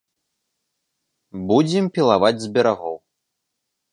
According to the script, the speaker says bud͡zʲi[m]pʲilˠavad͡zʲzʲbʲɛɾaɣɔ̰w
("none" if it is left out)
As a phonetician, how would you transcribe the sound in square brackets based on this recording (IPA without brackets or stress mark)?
m